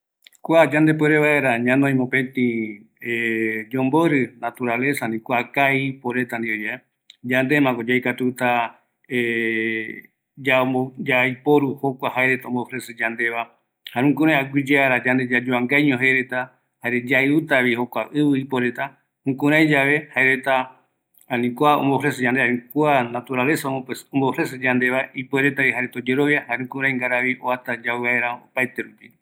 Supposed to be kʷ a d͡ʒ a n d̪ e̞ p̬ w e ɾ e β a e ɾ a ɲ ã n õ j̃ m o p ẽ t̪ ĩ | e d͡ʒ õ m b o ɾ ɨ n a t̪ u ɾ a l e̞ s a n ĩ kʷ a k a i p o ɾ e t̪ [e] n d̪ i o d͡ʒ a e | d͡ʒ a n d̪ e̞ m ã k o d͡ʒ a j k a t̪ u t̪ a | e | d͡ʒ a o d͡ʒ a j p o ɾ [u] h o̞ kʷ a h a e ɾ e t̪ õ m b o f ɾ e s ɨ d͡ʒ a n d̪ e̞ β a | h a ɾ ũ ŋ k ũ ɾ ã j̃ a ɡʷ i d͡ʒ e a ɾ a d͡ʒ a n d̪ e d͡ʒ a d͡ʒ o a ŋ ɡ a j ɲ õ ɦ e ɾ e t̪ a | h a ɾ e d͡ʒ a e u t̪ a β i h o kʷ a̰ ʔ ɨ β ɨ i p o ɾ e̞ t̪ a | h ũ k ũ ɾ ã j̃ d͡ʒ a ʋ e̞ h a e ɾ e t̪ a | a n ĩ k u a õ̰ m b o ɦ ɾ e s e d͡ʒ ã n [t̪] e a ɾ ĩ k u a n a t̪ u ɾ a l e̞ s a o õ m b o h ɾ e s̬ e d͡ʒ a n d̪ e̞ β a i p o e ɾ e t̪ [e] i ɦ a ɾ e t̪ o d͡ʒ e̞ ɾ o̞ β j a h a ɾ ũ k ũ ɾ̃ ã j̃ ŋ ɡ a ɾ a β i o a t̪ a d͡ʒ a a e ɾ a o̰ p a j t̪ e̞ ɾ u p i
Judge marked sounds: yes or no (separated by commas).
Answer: no, yes, no, no